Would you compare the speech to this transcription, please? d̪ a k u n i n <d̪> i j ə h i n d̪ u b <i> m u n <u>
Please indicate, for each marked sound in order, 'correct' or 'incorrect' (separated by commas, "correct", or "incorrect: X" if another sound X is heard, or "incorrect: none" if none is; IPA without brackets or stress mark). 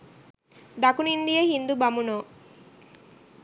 correct, incorrect: a, incorrect: o